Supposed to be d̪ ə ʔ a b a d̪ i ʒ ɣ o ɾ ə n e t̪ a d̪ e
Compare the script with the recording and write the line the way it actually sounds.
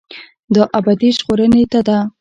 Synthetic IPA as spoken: d̪ ə ʔ a b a d̪ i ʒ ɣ o ɾ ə n e t̪ a d̪ a